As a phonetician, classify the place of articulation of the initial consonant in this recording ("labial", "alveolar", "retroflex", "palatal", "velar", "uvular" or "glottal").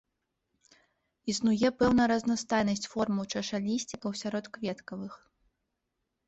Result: alveolar